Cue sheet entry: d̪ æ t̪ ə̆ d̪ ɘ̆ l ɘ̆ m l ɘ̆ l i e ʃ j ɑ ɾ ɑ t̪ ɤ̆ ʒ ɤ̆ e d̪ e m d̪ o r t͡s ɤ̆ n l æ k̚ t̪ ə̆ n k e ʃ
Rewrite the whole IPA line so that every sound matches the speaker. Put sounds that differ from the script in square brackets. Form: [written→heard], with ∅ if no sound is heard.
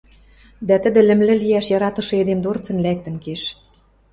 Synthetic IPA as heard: d̪ æ t̪ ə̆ d̪ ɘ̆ l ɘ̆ m l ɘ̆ l i [e→æ] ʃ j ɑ ɾ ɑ t̪ ɤ̆ [ʒ→ʃ] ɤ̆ e d̪ e m d̪ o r t͡s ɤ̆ n l æ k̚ t̪ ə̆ n k e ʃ

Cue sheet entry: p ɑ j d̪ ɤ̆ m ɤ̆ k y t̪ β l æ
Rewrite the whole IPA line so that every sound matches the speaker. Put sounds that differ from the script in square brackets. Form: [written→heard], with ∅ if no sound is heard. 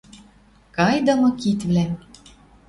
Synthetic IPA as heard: [p→k] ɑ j d̪ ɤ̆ m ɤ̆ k [y→i] t̪ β l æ

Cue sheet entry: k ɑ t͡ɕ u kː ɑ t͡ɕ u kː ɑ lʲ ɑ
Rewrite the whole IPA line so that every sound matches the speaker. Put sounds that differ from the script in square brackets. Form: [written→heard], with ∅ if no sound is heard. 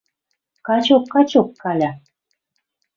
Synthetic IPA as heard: k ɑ t͡ɕ [u→o] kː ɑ t͡ɕ [u→o] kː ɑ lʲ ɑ

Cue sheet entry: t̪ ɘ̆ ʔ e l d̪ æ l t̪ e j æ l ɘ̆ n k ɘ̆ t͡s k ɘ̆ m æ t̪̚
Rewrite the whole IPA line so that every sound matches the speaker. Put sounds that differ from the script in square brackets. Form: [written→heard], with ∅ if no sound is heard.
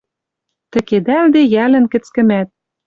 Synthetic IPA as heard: t̪ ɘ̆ [ʔ→k] e [l→∅] d̪ æ l [t̪→d̪] e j æ l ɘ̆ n k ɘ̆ t͡s k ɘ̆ m æ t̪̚

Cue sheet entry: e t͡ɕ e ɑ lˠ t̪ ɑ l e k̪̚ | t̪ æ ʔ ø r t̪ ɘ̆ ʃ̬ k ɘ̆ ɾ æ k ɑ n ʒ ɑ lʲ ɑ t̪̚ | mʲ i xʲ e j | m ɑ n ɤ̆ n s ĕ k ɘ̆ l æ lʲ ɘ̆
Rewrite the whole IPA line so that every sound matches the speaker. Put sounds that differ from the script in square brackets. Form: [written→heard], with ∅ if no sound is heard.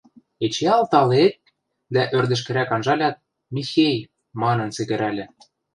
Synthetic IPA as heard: e t͡ɕ e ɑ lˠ t̪ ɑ l e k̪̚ | [t̪→d̪] æ ʔ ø r [t̪→d̪] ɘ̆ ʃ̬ k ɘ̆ ɾ æ k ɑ n ʒ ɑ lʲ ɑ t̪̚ | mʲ i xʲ e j | m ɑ n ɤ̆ n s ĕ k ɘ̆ [l→ɾ] æ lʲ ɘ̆

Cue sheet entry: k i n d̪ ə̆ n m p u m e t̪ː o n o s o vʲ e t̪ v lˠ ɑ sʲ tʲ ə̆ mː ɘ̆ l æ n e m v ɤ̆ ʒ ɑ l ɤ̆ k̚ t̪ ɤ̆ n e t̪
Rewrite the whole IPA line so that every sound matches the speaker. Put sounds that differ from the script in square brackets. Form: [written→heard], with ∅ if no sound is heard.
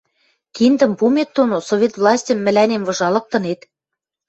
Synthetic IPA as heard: k i n d̪ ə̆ [n→∅] m p u m e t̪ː o n o s o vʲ e t̪ v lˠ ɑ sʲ tʲ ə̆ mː ɘ̆ l æ n e m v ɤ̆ ʒ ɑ l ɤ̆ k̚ t̪ ɤ̆ n e t̪

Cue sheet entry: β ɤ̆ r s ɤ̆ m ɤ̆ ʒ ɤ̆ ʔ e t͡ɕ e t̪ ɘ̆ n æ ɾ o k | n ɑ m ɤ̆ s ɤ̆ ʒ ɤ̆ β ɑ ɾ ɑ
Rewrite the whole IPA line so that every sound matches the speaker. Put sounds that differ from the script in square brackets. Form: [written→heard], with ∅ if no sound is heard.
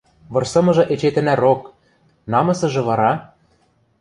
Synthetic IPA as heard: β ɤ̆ r s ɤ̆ m ɤ̆ ʒ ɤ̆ ʔ e t͡ɕ e t̪ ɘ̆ n æ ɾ o k | n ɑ m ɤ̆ s ɤ̆ ʒ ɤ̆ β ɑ ɾ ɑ

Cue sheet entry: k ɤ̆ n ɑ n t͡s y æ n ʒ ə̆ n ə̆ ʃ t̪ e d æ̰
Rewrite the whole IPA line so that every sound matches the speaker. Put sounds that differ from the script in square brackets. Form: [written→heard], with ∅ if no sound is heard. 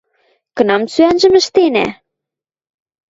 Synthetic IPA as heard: k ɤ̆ n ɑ [n→m] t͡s y æ n ʒ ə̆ [n→m] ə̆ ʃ t̪ e [d→n] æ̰

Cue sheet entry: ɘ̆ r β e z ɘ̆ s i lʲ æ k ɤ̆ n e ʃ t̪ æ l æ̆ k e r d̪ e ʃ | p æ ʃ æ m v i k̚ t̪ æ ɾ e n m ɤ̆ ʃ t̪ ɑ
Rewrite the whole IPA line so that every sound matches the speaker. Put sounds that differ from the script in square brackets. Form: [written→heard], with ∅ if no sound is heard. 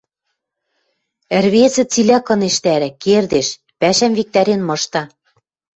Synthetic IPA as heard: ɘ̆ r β e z ɘ̆ [s→t͡s] i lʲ æ k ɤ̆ n e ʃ t̪ æ [l→ɾ] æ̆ k e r d̪ e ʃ | p æ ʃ æ m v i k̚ t̪ æ ɾ e n m ɤ̆ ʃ t̪ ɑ

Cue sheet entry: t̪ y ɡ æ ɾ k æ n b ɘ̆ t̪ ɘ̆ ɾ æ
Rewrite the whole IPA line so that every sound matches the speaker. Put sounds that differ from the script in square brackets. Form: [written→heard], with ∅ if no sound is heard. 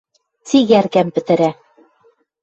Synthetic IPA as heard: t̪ [y→i] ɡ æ ɾ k æ [n→m] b ɘ̆ t̪ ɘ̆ ɾ æ

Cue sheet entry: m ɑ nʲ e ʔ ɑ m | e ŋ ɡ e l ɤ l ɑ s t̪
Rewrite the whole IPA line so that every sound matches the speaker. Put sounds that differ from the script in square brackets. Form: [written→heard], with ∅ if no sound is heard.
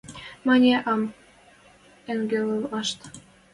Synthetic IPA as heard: m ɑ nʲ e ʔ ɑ m | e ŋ ɡ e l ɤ l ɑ [s→ʃ] t̪

